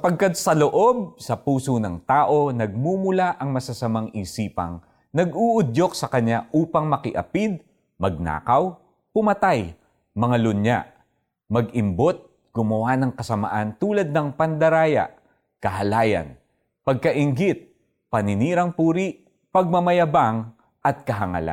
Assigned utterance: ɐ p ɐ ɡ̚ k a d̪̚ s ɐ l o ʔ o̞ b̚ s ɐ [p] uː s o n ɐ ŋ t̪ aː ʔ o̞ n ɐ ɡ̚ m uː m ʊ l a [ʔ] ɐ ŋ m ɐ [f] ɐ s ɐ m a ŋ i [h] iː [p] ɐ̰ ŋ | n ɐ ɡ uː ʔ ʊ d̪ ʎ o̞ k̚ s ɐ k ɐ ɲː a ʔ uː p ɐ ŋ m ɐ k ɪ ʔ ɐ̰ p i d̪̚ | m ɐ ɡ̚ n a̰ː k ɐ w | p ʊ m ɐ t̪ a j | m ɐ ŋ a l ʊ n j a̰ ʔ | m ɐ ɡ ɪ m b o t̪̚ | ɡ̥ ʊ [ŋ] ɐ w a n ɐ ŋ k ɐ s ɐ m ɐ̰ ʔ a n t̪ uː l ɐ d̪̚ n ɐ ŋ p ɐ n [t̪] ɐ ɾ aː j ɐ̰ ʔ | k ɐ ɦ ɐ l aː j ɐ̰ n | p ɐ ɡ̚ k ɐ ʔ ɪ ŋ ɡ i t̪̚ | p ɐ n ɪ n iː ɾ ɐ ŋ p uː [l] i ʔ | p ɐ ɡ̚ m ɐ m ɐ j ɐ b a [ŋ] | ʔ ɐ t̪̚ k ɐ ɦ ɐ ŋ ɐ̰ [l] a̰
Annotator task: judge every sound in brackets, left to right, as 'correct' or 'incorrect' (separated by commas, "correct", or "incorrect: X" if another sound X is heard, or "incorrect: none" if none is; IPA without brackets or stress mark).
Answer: correct, correct, incorrect: s, incorrect: s, correct, incorrect: m, incorrect: d̪, incorrect: ɾ, correct, correct